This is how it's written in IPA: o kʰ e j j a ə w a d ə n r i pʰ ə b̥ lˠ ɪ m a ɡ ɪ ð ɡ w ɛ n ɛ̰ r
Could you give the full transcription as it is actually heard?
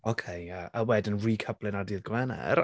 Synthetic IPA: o kʰ e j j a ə w ɛ d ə n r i kʰ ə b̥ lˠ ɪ n a d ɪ ð ɡ w ɛ n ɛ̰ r

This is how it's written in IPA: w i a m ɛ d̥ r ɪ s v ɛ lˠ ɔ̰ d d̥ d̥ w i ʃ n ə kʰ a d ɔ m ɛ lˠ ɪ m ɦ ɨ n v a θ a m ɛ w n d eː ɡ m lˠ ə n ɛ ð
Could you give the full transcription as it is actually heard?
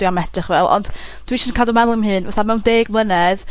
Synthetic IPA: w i a m ɛ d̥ r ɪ χ v ɛ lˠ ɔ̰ n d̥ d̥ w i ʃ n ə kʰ a d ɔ m ɛ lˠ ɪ m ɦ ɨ n v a θ a m ɛ w n d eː ɡ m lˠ ə n ɛ ð

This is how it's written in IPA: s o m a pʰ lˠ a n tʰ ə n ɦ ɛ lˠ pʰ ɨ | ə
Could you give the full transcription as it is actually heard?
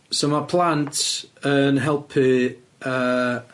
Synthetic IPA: s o m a pʰ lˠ a n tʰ ə n ɦ ɛ lˠ pʰ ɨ | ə

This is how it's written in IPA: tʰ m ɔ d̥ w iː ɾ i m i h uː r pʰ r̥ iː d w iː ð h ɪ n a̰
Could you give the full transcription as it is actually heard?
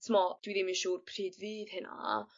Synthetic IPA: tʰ m ɔ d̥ w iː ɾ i m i ʃ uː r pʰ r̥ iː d v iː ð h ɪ n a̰

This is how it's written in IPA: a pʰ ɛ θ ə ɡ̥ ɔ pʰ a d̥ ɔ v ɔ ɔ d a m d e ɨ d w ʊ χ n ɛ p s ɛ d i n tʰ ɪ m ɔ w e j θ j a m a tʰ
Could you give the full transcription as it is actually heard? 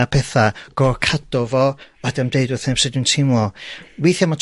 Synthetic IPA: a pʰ ɛ θ a ɡ̥ ɔ kʰ a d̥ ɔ v ɔ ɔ d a m d e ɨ d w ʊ θ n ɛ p s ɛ d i n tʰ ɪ m ɔ w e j θ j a m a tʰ

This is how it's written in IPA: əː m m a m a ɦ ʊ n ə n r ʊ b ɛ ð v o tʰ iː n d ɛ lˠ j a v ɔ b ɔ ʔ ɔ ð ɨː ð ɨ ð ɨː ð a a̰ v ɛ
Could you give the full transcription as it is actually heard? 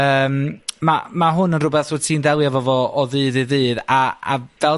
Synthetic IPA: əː m m a m a ɦ ʊ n ə n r ʊ b ɛ θ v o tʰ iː n d ɛ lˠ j a v ɔ v ɔ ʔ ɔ ð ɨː ð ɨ ð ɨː ð a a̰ v ɛ

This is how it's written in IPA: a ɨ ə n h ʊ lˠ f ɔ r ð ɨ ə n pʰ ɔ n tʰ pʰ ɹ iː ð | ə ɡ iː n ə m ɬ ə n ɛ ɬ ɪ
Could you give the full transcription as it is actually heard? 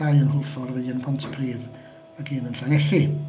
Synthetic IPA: a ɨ ə n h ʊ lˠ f ɔ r v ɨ ə n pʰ ɔ n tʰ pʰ r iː v | ə ɡ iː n ə n ɬ a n ɛ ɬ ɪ

